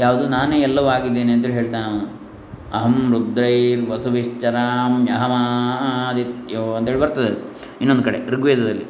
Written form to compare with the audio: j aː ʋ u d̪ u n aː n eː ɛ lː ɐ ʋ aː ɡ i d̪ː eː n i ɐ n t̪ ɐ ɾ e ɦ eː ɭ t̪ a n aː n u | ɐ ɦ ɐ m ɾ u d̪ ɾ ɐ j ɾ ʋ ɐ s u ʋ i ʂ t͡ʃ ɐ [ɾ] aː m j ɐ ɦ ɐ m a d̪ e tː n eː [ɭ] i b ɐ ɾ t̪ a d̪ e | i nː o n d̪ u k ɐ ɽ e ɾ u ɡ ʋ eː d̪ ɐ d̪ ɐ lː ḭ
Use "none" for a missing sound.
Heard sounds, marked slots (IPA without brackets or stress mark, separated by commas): ɾ, ɭ